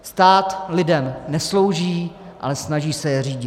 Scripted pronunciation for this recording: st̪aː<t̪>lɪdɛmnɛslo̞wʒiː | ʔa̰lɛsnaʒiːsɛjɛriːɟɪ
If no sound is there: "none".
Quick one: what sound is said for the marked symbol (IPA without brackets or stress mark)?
t̪